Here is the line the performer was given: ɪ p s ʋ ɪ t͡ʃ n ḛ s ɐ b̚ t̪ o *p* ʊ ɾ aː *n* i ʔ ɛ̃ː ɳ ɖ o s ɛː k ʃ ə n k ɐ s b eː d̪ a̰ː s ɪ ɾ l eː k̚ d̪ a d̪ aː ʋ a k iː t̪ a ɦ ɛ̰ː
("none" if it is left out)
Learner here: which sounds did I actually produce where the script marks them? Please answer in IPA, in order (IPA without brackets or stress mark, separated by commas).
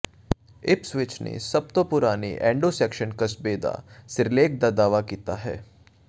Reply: p, n